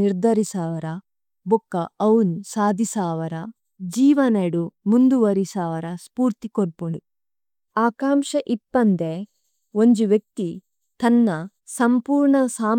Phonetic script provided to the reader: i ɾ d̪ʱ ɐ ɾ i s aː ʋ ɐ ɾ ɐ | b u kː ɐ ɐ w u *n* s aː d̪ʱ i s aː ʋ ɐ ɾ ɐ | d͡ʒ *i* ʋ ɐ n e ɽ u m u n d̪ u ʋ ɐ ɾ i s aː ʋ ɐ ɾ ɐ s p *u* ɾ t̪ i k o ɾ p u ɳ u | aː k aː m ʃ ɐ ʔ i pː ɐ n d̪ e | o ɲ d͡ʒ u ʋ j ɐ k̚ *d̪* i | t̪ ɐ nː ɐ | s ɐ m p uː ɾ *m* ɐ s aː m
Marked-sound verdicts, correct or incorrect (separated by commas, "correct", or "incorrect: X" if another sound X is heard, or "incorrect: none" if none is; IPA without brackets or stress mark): correct, incorrect: iː, incorrect: uː, incorrect: t̪, incorrect: ɳ